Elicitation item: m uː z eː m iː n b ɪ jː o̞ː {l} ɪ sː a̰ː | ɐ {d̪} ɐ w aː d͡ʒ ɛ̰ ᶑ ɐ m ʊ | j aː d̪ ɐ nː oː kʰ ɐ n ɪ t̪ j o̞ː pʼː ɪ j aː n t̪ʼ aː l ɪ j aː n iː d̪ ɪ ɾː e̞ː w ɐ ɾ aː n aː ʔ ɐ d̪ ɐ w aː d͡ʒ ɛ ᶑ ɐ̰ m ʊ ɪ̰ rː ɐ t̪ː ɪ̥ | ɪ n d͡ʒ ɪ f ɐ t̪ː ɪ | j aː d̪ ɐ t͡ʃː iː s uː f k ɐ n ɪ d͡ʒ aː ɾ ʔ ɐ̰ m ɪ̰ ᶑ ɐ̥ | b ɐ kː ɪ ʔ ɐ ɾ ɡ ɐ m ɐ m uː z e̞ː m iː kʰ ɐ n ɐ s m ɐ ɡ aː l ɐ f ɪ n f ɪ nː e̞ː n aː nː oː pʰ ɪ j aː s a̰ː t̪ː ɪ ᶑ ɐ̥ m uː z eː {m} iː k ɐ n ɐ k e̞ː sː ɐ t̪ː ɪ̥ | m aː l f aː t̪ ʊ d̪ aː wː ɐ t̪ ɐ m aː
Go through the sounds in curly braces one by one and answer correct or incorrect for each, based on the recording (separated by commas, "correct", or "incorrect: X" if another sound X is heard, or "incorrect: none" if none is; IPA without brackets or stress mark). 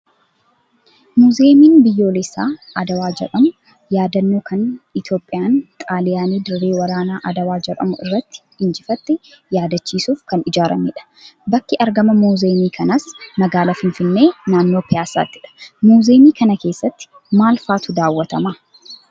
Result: correct, correct, correct